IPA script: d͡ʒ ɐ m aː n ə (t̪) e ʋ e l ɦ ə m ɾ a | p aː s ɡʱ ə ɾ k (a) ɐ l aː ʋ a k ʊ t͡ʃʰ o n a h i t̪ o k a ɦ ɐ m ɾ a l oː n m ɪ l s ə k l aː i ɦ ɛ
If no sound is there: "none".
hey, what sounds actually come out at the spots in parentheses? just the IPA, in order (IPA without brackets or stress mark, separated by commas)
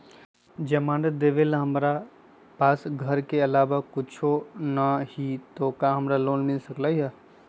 d̪, e